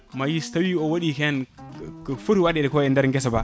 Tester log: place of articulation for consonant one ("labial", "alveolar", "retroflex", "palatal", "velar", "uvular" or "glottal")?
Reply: labial